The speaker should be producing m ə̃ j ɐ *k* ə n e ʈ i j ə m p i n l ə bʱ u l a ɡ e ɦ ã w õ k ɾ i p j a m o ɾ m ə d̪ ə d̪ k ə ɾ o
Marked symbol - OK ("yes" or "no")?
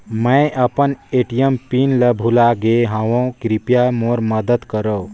no